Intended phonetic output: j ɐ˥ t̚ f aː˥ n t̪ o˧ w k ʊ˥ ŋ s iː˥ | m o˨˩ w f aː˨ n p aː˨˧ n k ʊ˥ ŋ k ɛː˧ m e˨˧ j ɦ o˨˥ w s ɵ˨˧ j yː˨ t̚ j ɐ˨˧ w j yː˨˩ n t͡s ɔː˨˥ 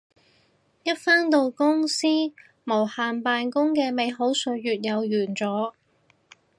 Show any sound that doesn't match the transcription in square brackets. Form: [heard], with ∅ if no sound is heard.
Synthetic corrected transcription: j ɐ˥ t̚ f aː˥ n t̪ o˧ w k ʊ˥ ŋ s iː˥ | m o˨˩ w [h] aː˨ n p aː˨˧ n k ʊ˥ ŋ k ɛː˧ m e˨˧ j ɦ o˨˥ w s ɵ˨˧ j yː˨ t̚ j ɐ˨˧ w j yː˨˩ n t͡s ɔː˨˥